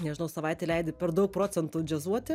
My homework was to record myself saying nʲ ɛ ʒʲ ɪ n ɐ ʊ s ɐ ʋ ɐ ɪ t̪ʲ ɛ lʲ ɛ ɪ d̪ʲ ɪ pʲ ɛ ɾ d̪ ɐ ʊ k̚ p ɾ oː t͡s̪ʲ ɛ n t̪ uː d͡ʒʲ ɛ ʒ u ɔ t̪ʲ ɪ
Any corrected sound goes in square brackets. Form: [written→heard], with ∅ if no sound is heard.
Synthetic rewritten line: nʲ ɛ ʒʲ ɪ n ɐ ʊ s ɐ ʋ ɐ ɪ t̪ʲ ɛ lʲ ɛ ɪ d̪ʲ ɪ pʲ ɛ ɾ d̪ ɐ ʊ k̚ p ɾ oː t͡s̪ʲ ɛ n t̪ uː d͡ʒʲ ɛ [ʒ→z] u ɔ t̪ʲ ɪ